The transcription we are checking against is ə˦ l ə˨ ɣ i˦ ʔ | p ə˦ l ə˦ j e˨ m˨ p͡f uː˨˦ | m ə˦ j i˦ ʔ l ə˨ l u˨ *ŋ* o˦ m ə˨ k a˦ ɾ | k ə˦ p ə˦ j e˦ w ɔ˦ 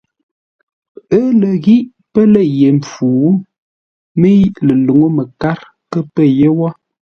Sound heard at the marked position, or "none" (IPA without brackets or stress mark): ŋ